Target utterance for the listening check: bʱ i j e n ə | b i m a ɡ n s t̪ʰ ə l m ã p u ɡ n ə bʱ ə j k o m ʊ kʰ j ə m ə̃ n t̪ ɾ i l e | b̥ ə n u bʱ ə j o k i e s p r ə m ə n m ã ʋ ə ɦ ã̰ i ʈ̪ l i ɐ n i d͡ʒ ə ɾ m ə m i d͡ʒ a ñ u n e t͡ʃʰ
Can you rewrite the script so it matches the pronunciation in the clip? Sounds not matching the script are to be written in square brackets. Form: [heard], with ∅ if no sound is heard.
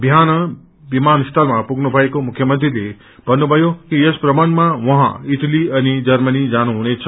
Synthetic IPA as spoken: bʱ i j [a] n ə | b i m a [∅] n s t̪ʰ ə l m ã p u ɡ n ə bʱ [a] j k o m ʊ kʰ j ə m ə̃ n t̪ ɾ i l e | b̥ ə n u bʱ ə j o k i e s p [ɾ] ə m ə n m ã ʋ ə ɦ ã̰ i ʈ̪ l i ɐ n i d͡ʒ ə ɾ m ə [n] i d͡ʒ a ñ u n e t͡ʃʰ